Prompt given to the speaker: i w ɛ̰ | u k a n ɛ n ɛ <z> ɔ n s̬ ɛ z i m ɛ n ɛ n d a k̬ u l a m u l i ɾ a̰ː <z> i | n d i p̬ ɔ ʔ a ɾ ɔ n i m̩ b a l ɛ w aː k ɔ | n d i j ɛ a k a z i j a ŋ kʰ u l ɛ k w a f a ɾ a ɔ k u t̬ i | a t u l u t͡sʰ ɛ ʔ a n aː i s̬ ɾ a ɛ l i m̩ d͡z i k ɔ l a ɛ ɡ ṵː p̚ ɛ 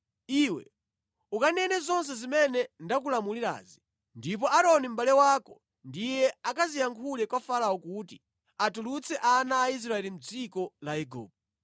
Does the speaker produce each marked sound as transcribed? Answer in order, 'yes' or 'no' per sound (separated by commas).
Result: yes, yes